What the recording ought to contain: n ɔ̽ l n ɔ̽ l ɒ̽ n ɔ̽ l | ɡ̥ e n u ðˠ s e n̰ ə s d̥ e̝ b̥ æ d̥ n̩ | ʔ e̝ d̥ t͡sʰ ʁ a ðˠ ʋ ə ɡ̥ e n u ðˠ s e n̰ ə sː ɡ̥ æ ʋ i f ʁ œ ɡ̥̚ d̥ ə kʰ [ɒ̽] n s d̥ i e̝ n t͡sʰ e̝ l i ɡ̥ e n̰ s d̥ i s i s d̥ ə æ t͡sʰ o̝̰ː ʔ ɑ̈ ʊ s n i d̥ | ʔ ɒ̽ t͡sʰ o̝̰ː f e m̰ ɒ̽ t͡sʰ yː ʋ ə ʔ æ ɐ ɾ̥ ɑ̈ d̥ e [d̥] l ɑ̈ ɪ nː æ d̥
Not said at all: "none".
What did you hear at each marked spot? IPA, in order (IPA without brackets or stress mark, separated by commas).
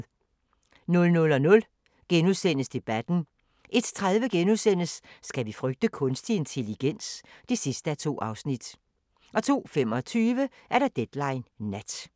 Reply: ɔ̽, d̥